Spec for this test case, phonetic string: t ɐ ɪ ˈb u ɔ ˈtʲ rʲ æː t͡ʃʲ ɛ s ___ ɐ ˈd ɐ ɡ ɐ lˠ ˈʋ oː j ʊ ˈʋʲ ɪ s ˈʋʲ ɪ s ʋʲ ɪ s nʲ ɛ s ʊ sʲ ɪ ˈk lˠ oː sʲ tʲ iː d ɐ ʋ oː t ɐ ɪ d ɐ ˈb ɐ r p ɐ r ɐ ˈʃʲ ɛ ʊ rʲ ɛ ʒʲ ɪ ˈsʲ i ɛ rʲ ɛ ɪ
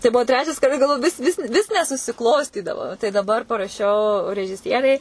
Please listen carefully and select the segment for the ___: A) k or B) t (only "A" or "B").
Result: A